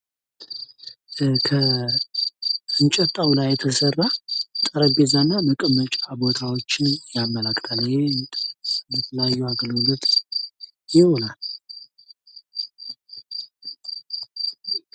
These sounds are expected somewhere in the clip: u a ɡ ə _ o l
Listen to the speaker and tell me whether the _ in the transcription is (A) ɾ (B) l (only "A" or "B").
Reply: B